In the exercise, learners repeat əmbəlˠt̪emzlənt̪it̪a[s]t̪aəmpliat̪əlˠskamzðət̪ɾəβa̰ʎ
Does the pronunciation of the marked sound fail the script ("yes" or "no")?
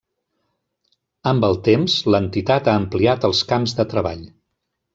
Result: yes